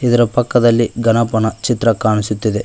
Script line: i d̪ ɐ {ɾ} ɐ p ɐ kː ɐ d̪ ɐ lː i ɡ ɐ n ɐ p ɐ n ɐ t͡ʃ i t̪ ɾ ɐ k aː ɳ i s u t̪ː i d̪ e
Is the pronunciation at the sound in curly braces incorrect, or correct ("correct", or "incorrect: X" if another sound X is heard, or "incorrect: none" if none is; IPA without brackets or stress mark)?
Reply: correct